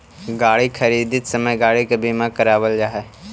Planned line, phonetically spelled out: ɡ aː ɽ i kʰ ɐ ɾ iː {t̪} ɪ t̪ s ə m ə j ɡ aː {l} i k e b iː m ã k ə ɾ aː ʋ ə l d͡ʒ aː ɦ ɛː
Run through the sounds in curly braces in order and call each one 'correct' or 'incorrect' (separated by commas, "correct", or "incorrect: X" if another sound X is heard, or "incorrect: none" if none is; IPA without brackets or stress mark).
incorrect: d̪, incorrect: ɽ